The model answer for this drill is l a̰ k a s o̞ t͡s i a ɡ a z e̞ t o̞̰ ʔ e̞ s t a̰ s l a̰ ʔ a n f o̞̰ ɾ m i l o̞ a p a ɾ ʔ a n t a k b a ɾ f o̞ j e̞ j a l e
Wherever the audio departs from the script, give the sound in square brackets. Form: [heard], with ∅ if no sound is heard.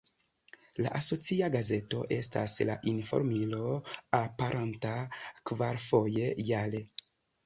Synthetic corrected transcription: l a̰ [ʔ] a s o̞ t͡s i a ɡ a z e̞ t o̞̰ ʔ e̞ s t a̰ s l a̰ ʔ [i] n f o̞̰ ɾ m i l o̞ a p a ɾ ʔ a n t a k [v] a ɾ f o̞ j e̞ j a l e